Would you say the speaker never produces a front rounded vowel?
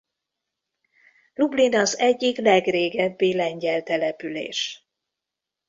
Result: no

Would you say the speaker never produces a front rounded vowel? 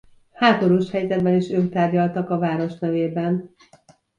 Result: no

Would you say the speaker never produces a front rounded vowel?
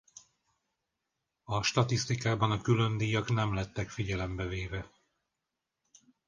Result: no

